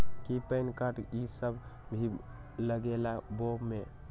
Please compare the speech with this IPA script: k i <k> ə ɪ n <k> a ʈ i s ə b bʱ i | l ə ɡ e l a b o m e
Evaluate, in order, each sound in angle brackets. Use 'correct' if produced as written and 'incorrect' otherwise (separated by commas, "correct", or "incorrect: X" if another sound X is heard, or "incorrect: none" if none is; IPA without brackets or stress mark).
incorrect: p, correct